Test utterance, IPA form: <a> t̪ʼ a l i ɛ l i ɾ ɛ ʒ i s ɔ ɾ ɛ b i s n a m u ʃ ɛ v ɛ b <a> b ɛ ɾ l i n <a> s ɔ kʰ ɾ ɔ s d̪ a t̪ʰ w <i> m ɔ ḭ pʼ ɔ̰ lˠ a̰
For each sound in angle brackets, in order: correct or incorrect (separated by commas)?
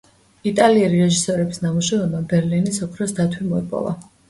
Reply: incorrect, correct, incorrect, correct